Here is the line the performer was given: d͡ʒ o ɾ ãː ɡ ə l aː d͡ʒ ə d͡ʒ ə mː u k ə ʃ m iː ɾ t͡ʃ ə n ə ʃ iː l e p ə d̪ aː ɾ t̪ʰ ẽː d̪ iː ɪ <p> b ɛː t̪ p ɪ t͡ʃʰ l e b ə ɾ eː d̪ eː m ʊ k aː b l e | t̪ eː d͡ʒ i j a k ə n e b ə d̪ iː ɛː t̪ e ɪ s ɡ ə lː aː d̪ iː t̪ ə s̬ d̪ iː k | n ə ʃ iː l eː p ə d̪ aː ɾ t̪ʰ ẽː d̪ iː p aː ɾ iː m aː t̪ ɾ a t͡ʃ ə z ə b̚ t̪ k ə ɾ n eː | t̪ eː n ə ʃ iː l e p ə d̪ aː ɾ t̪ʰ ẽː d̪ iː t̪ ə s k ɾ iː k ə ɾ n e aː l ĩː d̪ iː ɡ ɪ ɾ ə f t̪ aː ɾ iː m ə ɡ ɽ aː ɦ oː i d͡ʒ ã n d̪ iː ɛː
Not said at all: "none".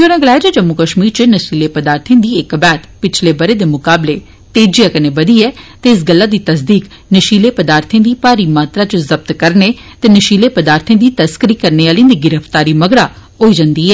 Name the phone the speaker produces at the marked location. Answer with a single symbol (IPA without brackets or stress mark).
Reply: k